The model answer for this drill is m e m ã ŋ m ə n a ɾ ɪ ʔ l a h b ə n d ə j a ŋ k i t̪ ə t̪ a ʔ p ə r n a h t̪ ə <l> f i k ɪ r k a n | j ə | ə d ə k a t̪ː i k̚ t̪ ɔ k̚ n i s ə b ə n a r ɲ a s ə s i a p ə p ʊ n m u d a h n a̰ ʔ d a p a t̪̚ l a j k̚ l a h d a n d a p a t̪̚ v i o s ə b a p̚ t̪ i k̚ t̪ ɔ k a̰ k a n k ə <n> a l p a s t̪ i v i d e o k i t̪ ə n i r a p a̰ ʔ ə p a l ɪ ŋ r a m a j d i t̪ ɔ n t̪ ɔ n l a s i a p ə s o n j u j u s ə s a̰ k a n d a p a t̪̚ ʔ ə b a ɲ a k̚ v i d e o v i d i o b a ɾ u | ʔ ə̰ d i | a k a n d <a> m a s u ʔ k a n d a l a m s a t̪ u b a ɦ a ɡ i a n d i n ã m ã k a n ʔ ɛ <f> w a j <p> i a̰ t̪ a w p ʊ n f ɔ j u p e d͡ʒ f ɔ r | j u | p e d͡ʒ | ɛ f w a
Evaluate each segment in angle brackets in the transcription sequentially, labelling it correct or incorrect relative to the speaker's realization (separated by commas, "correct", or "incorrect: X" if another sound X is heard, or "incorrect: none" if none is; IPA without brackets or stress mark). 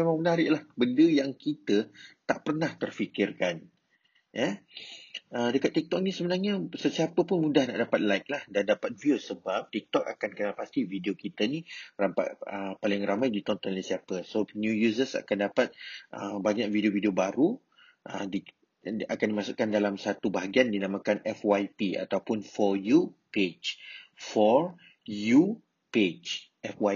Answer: incorrect: r, correct, incorrect: i, correct, correct